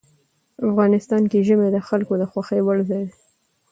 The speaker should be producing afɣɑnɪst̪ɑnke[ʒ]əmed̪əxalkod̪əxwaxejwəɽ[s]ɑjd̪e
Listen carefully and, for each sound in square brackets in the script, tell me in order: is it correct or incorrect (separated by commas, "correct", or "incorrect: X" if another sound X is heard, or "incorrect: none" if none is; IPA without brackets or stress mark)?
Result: correct, incorrect: z